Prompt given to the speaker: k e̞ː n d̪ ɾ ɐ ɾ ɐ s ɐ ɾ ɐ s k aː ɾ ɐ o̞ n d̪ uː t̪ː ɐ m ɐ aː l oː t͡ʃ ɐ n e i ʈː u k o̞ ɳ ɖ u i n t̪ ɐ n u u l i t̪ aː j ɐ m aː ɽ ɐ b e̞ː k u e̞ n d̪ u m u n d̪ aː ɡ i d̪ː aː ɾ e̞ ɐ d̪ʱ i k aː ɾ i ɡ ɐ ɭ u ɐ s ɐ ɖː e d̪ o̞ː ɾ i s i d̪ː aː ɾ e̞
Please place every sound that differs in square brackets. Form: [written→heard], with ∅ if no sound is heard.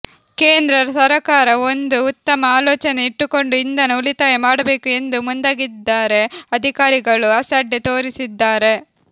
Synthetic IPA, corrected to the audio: k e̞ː n d̪ ɾ ɐ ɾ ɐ s ɐ ɾ ɐ [s→∅] k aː ɾ ɐ o̞ n d̪ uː t̪ː ɐ m ɐ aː l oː t͡ʃ ɐ n e i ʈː u k o̞ ɳ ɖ u i n [t̪→d̪] ɐ n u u l i t̪ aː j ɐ m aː ɽ ɐ b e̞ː k u e̞ n d̪ u m u n d̪ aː ɡ i d̪ː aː ɾ e̞ ɐ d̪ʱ i k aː ɾ i ɡ ɐ ɭ u ɐ s ɐ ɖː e [d̪→t̪] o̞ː ɾ i s i d̪ː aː ɾ e̞